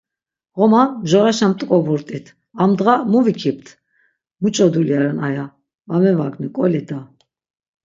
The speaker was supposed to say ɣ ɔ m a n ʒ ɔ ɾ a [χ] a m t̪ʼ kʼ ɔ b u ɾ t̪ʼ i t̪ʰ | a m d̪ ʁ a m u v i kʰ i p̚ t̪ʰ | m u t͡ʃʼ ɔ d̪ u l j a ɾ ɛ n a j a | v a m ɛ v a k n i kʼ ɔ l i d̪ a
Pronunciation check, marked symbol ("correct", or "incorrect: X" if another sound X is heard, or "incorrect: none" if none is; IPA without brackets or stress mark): incorrect: ʃ